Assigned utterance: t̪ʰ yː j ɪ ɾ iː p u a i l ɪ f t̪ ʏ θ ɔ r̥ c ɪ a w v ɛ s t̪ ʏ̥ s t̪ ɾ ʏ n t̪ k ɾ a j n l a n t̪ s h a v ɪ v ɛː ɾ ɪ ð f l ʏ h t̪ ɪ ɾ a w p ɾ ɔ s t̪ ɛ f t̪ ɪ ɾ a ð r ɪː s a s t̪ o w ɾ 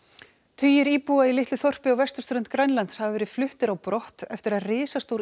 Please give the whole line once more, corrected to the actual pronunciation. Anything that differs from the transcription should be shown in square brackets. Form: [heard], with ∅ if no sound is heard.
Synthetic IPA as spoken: t̪ʰ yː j ɪ ɾ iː p u a i l ɪ [h] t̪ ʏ θ ɔ r̥ [p] ɪ a w v ɛ s t̪ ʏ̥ s t̪ ɾ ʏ n t̪ k ɾ a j n l a n t̪ s h a v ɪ v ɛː ɾ ɪ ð f l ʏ h t̪ ɪ ɾ a w p ɾ ɔ [h] t̪ ɛ f t̪ ɪ ɾ a ð r ɪː s a s t̪ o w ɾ